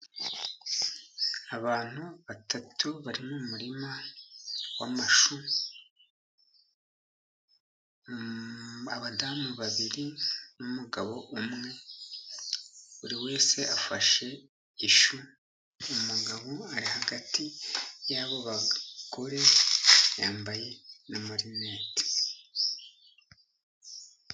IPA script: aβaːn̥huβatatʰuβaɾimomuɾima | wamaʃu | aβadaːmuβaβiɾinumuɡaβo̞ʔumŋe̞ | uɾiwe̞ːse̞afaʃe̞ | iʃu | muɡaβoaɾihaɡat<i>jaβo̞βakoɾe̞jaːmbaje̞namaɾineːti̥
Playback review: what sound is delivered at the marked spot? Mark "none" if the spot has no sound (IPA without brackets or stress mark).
i